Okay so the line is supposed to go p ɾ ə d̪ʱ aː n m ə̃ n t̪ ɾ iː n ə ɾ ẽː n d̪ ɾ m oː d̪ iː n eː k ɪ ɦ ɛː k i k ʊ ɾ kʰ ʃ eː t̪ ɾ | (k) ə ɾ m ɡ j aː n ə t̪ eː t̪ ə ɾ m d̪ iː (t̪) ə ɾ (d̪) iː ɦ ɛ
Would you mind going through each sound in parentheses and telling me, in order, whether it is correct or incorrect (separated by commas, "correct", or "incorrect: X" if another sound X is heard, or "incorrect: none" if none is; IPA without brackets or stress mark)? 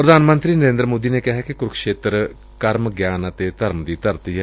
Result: correct, correct, incorrect: t̪